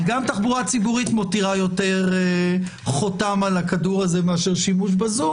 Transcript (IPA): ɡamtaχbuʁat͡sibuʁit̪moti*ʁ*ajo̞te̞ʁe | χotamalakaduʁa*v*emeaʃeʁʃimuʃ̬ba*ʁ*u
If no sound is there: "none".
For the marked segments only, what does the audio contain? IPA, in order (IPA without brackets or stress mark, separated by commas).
ʁ, z, z